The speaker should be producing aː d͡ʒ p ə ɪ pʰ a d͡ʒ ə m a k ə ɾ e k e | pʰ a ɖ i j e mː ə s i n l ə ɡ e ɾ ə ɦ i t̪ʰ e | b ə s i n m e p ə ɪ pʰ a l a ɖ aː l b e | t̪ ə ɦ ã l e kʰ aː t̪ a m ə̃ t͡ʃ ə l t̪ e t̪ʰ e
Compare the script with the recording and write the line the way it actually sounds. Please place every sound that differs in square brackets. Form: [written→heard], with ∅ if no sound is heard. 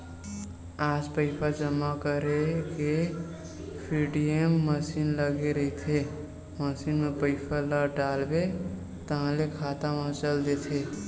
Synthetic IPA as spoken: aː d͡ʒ p ə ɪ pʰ a d͡ʒ ə m a k ə ɾ e k e | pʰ [a→i] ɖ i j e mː ə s i n l ə ɡ e ɾ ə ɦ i t̪ʰ e | [b→m] ə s i n m e p ə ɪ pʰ a l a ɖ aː l b e | t̪ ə ɦ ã l e kʰ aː t̪ a m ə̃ t͡ʃ ə l [t̪→d̪] e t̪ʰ e